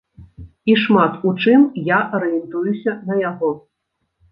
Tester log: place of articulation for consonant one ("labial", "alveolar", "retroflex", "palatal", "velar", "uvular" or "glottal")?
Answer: retroflex